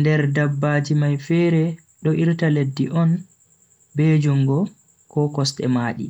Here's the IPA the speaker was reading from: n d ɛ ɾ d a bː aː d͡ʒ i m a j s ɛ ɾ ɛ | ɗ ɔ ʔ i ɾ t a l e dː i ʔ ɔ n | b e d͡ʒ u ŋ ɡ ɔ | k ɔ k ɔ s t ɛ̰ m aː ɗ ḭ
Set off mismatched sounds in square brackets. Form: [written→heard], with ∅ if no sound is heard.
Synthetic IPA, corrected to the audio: n d ɛ ɾ d a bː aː d͡ʒ i m a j [s→f] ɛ ɾ ɛ | ɗ ɔ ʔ i ɾ t a l e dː i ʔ ɔ n | b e d͡ʒ u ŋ ɡ ɔ | k ɔ k ɔ s t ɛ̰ m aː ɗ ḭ